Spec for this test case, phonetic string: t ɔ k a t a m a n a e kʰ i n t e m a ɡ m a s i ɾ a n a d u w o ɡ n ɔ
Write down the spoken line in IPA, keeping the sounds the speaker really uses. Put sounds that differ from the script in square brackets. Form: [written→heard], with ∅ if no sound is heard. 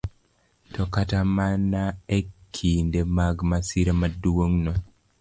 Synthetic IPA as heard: t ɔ k a t a m a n a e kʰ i n [t→d] e m a ɡ m a s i ɾ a [n→m] a d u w o [ɡ→ŋ] n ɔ